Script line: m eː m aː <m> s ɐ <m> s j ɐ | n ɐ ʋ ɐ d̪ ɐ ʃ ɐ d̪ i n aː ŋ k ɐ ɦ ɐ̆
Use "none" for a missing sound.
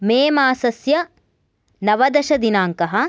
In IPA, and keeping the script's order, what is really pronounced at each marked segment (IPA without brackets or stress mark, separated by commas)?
none, none